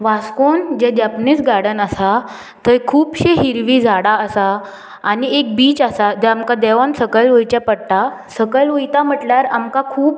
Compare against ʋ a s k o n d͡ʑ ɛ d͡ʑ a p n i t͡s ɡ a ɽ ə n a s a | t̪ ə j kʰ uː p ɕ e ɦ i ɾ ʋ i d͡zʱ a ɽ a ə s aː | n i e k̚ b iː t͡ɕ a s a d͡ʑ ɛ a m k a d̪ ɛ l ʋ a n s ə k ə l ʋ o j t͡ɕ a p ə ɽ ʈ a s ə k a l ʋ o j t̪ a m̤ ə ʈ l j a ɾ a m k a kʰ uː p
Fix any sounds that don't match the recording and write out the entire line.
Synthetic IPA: ʋ a s k o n d͡ʑ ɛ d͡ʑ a p n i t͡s ɡ a ɽ ə n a s a | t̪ ə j kʰ uː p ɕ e ɦ i ɾ ʋ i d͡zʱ a ɽ a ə s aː | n i e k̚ b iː t͡ɕ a s a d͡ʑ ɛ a m k a d̪ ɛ ʋ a n s ə k ə l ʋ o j t͡ɕ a p ə ɽ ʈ a s ə k ə l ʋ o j t̪ a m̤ ə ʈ l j a ɾ a m k a kʰ uː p